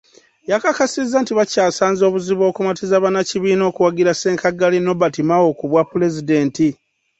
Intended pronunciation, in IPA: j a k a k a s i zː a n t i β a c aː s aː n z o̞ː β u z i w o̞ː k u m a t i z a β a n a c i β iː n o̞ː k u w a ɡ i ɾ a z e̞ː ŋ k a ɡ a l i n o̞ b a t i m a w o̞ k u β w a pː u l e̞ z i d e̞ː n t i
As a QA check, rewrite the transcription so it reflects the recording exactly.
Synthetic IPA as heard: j a k a k a s i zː a n t i β a c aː s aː n z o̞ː β u z i β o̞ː k u m a t i z a β a n a c i β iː n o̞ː k u w a ɡ i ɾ a s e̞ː ŋ k a ɡ a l i n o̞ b a t i m a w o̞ k u β w a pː u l e̞ z i d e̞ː n t i